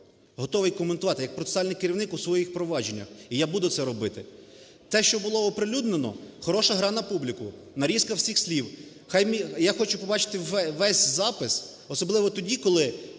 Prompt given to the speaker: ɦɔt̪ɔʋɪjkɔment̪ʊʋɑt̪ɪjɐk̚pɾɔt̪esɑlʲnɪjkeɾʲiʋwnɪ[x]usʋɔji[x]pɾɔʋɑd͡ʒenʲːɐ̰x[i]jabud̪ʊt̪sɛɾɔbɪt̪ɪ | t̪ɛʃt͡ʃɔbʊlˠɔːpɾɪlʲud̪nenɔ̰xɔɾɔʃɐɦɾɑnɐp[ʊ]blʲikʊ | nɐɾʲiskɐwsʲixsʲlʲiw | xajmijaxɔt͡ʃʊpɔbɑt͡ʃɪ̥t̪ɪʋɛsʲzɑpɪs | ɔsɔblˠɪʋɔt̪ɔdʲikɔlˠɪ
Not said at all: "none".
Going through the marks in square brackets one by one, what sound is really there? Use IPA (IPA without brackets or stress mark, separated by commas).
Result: k, x, i, u